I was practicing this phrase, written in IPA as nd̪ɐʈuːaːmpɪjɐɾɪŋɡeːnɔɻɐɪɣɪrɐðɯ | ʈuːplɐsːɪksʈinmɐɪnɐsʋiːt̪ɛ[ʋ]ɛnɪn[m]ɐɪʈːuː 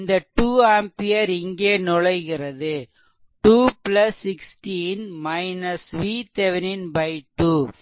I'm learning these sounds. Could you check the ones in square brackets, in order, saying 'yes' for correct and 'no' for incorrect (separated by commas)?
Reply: yes, no